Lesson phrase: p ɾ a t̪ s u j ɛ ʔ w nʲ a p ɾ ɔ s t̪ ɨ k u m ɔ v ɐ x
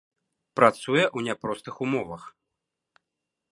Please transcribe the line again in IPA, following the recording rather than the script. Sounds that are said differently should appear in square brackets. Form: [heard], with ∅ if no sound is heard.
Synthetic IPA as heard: p ɾ a t̪ s u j ɛ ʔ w nʲ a p ɾ ɔ s t̪ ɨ [x] u m ɔ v ɐ x

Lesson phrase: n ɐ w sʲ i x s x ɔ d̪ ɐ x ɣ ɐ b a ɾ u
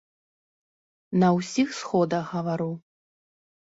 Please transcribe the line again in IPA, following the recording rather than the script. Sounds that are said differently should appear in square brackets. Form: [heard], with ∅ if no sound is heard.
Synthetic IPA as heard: n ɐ w sʲ i x s x ɔ d̪ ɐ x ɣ ɐ [v] a ɾ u

